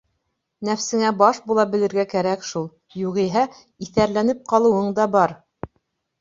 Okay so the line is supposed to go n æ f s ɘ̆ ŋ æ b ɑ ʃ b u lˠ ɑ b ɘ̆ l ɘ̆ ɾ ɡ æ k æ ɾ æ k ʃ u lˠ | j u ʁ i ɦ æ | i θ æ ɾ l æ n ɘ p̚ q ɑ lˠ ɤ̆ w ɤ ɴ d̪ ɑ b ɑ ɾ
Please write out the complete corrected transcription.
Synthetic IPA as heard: n æ f s ɘ̆ ŋ æ b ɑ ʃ b u lˠ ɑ b ɘ̆ l ɘ̆ ɾ ɡ æ k æ ɾ æ k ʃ u lˠ | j u ʁ i ɦ æ | i θ æ ɾ l æ n ɘ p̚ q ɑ lˠ ɤ̆ w ɤ ɴ d̪ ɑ b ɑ ɾ